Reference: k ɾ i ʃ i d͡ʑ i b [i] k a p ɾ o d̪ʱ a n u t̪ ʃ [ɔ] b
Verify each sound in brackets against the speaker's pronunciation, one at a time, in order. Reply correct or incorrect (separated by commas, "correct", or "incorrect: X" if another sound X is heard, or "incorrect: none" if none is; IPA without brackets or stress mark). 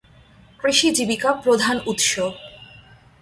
correct, incorrect: o